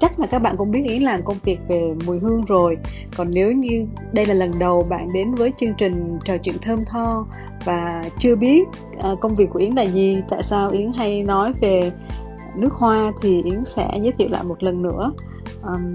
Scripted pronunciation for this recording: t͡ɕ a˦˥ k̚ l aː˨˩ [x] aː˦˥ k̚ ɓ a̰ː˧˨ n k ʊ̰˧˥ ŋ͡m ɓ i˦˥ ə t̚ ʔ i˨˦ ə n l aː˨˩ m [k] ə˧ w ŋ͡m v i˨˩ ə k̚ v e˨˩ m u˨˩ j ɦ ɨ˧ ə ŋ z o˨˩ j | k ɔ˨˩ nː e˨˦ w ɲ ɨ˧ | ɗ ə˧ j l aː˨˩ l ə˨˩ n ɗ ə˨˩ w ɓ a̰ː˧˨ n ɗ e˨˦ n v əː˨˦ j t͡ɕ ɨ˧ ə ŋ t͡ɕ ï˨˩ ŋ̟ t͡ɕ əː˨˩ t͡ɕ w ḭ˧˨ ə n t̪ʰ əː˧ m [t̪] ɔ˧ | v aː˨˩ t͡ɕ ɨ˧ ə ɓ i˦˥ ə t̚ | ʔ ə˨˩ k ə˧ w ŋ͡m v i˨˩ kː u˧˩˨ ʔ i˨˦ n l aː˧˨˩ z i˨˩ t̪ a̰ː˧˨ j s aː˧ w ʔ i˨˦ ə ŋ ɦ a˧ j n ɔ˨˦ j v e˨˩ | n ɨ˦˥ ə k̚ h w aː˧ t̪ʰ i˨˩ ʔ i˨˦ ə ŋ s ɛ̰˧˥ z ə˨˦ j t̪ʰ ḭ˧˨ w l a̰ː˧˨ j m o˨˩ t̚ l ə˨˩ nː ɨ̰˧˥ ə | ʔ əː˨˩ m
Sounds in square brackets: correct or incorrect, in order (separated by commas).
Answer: incorrect, correct, incorrect